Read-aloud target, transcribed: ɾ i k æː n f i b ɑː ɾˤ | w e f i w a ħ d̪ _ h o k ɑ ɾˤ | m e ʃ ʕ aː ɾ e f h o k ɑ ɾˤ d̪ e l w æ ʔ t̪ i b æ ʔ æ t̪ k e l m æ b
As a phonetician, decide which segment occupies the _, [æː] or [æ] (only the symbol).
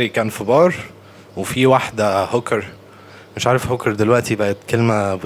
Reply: æ